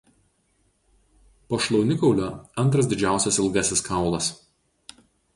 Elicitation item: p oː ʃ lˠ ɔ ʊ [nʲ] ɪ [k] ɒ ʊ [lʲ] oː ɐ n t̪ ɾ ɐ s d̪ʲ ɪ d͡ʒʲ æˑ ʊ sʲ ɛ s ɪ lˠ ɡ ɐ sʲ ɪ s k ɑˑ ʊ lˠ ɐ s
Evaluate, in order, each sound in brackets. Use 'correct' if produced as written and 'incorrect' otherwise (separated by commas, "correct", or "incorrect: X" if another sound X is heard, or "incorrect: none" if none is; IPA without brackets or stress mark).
correct, correct, correct